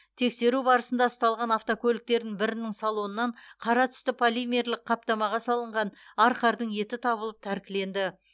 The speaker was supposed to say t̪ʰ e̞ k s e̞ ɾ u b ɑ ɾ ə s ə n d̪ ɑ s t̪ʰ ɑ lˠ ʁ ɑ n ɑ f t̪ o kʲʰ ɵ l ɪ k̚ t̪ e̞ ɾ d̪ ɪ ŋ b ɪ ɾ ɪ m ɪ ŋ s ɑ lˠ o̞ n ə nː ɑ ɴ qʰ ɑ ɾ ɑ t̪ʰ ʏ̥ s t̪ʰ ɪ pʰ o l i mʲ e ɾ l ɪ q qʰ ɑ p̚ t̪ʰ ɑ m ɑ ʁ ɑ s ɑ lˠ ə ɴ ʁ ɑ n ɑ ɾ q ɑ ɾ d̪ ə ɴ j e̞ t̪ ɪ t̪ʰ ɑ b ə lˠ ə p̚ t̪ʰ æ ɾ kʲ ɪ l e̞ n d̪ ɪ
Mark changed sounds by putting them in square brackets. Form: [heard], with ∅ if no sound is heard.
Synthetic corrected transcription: t̪ʰ e̞ k s e̞ ɾ u b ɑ ɾ ə s ə n d̪ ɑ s [t̪] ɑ lˠ ʁ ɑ n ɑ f t̪ o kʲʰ ɵ l ɪ k̚ t̪ e̞ ɾ d̪ ɪ ŋ b ɪ ɾ ɪ [n] ɪ ŋ s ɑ lˠ o̞ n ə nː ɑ ɴ qʰ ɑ ɾ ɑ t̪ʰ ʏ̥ s [t̪] ɪ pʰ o l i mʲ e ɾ l ɪ q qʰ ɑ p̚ [t̪] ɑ m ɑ ʁ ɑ s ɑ lˠ ə ɴ ʁ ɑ n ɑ ɾ q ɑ ɾ d̪ ə ɴ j e̞ t̪ ɪ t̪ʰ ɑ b ə lˠ ə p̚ t̪ʰ æ ɾ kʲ ɪ l e̞ n d̪ ɪ